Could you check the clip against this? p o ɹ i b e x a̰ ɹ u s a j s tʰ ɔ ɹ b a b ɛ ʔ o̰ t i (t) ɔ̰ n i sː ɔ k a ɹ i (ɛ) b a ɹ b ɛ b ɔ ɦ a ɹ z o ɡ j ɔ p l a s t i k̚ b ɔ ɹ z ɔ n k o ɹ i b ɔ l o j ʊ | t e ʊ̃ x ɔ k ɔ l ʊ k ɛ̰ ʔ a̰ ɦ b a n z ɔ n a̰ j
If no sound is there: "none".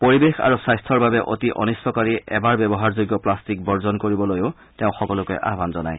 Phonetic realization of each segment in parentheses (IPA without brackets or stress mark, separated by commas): ʔ, ɛ